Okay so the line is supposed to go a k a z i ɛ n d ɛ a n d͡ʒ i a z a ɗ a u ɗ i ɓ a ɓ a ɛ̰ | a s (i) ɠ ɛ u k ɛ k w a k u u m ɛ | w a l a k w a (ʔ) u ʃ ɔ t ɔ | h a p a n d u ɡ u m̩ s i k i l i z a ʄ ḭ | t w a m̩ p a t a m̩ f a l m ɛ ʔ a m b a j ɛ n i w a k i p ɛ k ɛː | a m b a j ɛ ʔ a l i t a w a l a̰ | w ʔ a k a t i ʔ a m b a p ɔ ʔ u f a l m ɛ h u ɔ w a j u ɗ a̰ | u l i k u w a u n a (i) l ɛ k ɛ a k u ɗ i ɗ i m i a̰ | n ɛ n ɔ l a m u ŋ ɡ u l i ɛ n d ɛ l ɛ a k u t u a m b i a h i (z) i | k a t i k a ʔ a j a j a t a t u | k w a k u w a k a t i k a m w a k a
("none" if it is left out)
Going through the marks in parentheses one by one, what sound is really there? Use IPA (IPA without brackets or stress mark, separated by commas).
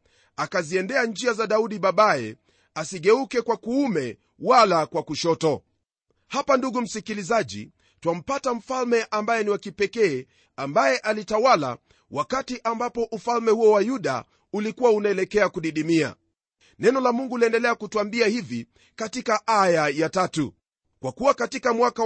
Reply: i, k, ɛ, v